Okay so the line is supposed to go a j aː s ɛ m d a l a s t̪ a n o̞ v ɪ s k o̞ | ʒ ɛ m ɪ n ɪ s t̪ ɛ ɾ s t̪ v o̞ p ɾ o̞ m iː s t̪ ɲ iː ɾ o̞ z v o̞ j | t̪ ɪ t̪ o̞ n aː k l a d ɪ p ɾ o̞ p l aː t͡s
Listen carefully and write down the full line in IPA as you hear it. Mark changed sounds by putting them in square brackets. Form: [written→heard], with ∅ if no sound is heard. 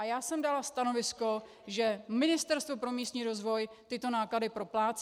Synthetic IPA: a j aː s ɛ m d a l a s t̪ a n o̞ v ɪ s k o̞ | ʒ ɛ m ɪ n ɪ s t̪ ɛ ɾ s t̪ v o̞ p ɾ o̞ m iː s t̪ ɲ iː ɾ o̞ z v o̞ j | t̪ ɪ t̪ o̞ n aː k l a d ɪ p ɾ o̞ p l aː t͡s